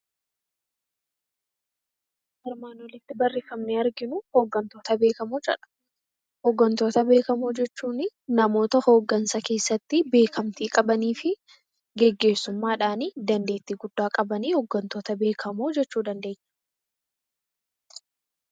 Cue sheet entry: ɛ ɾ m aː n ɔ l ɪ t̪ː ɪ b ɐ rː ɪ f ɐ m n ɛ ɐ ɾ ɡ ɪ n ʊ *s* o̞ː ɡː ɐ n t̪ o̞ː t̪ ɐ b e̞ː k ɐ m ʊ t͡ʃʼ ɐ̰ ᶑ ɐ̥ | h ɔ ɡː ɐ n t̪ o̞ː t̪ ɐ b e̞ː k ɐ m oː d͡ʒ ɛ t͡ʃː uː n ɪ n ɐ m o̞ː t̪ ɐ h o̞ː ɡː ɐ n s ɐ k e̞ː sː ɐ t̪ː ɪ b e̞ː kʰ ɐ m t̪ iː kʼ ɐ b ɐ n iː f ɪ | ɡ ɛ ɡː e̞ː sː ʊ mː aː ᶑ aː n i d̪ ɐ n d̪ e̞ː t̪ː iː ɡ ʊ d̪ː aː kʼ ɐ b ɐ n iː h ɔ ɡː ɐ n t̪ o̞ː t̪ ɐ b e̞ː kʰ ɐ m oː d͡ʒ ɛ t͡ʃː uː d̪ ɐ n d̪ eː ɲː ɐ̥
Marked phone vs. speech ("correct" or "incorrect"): incorrect